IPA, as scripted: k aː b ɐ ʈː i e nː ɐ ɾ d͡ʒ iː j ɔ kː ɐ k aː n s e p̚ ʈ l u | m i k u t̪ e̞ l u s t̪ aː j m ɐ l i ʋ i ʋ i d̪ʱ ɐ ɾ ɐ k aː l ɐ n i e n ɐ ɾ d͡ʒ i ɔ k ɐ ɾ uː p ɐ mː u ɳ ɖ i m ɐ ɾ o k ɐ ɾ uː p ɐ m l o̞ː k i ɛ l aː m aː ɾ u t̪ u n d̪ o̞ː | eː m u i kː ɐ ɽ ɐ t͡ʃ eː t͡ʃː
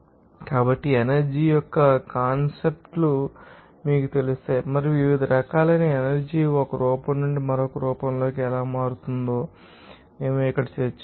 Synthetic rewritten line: k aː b ɐ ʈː i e n ɐ ɾ d͡ʒ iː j ɔ kː ɐ k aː n s e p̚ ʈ l u | m iː k u t̪ e̞ l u s t̪ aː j m ɐ ɾ i ʋ i ʋ i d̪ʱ ɐ ɾ ɐ k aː l ɐ n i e n ɐ ɾ d͡ʒ i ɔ k ɐ ɾ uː p ɐ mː u ɳ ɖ i m ɐ ɾ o k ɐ ɾ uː p ɐ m l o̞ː k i ɛ l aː m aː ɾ u t̪ u n d̪ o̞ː | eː m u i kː ɐ ɽ ɐ t͡ʃ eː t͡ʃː